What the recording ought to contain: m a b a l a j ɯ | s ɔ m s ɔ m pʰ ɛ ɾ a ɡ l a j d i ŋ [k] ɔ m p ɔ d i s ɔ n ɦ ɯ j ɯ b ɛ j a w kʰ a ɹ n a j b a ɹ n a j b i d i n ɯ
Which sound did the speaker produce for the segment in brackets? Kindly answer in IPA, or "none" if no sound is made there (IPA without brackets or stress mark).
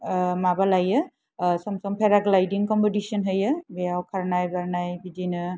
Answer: k